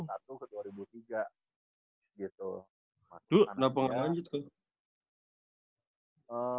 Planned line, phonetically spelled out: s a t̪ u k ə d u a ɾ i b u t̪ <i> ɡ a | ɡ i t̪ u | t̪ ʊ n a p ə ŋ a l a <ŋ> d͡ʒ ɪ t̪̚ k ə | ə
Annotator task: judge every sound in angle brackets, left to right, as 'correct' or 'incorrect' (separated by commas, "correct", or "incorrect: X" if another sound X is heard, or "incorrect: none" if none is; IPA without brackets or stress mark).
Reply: correct, incorrect: ɲ